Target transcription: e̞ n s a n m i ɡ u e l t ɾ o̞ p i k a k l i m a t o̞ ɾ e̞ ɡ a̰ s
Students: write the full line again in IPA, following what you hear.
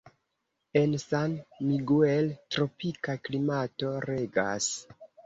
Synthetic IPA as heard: e̞ n s a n m i ɡ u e l t ɾ o̞ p i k a k l i m a t o̞ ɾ e̞ ɡ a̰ s

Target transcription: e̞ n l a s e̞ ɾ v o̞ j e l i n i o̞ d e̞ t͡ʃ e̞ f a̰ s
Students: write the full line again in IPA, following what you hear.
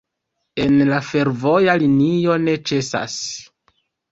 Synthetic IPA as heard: e̞ n l a f e̞ ɾ v o̞ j a l i n i o̞ n e̞ t͡ʃ e̞ s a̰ s

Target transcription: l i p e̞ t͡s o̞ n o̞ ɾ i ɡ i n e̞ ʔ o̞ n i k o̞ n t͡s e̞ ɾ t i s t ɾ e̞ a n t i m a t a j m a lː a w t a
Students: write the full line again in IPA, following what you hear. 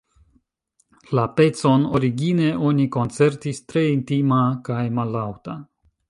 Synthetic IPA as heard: l a p e̞ t͡s o̞ n o̞ ɾ i ɡ i n e̞ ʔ o̞ n i k o̞ n t͡s e̞ ɾ t i s t ɾ e̞ i n t i m a k a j m a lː a w t a

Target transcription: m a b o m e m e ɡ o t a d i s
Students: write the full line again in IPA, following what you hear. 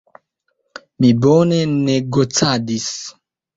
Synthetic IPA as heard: m i b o n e n e ɡ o t͡s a d i s

